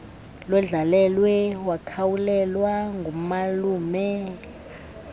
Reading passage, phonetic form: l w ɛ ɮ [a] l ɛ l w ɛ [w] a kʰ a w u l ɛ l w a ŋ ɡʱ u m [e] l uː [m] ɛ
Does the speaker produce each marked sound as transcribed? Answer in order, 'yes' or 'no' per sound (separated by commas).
yes, yes, no, yes